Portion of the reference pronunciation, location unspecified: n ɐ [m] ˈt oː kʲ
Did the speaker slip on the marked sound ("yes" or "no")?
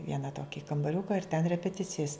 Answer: yes